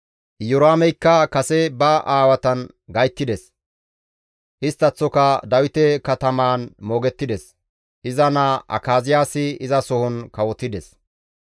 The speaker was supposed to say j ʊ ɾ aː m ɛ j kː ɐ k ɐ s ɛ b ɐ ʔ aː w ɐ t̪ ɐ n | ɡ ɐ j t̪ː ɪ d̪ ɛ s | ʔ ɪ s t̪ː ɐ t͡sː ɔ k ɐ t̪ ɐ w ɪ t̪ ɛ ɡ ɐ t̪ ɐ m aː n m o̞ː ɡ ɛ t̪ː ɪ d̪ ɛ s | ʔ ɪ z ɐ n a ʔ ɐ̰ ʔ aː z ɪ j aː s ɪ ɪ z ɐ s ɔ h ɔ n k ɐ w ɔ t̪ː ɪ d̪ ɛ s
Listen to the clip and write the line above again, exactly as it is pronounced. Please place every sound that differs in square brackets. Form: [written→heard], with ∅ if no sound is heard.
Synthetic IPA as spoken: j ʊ ɾ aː m ɛ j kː ɐ k ɐ s ɛ b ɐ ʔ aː w ɐ t̪ ɐ n | ɡ ɐ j t̪ː ɪ d̪ ɛ s | ʔ ɪ s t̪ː ɐ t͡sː ɔ k ɐ [t̪→d̪] ɐ w ɪ t̪ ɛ [ɡ→k] ɐ t̪ ɐ m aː n m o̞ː ɡ ɛ t̪ː ɪ d̪ ɛ s | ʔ ɪ z ɐ n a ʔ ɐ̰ [ʔ→k] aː z ɪ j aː s ɪ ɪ z ɐ s ɔ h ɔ n k ɐ w ɔ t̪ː ɪ d̪ ɛ s